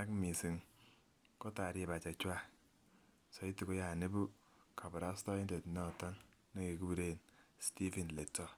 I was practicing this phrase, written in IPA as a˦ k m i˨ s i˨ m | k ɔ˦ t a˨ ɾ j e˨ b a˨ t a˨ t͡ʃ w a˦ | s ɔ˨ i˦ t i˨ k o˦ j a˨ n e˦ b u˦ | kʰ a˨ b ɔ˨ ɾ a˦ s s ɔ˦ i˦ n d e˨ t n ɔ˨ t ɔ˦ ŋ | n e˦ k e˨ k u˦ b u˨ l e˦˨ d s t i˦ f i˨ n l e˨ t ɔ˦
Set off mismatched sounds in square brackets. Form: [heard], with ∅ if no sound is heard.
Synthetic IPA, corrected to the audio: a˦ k m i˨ s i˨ [ŋ] | k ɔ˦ t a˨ ɾ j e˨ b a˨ [t͡ʃ] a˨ t͡ʃ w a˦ | s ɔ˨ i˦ t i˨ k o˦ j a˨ n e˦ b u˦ | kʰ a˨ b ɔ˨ ɾ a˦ s [t] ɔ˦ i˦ n d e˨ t n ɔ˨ t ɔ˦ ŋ | n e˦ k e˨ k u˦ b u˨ [ɾ] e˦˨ [n] s t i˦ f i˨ n l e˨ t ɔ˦